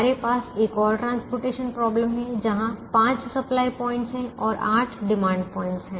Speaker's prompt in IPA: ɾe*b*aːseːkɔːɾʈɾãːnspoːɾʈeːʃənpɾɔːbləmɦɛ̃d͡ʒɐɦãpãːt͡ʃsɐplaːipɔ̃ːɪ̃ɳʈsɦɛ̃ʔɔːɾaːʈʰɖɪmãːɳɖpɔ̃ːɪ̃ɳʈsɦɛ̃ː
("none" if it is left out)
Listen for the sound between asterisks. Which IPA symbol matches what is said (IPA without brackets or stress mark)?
p